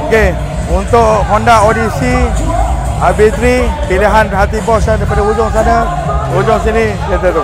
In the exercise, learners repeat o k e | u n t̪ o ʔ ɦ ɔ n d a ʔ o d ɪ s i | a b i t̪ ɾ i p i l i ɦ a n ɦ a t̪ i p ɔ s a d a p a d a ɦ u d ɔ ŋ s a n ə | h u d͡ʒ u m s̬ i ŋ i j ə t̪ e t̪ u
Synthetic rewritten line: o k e | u n t̪ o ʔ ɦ ɔ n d a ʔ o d i s i | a b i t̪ ɾ i p i l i ɦ a n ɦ a t̪ i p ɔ s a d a p a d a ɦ u d͡ʒ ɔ ŋ s a n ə | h u d͡ʒ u ŋ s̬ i n i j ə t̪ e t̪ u